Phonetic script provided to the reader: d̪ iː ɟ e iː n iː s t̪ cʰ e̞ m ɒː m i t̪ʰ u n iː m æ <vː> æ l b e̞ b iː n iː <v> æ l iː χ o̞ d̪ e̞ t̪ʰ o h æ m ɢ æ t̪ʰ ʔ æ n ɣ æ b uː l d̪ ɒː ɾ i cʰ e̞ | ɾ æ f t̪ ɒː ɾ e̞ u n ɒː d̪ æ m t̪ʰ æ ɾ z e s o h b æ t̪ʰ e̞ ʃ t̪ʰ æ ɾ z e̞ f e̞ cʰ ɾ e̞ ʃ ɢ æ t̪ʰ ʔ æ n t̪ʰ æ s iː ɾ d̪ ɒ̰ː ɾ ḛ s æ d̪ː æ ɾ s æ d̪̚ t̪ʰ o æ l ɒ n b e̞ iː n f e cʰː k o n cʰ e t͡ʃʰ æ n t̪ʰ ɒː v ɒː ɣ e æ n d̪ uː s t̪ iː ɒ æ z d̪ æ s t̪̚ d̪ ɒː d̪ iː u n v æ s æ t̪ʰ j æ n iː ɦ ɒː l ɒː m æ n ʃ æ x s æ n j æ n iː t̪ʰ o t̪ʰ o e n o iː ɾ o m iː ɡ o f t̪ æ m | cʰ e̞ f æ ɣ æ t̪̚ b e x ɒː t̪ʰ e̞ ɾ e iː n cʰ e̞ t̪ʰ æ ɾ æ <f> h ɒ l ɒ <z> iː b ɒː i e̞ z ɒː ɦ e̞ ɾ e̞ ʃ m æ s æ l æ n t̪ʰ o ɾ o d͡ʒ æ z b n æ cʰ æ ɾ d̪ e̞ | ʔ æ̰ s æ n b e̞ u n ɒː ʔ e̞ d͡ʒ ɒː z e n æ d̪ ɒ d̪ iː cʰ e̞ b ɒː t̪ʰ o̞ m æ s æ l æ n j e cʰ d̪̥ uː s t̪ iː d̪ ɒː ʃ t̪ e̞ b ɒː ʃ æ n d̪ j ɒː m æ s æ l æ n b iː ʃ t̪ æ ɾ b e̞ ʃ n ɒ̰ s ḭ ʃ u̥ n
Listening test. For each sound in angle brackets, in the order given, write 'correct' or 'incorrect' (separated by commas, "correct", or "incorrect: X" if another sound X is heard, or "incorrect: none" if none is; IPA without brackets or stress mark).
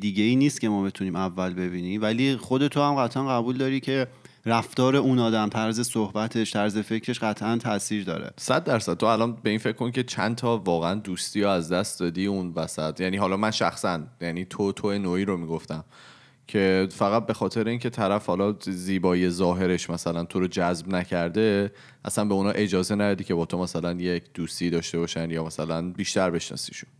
correct, correct, correct, correct